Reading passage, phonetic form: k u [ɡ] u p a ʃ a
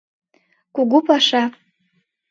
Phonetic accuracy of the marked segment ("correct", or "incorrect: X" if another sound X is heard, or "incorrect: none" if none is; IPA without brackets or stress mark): correct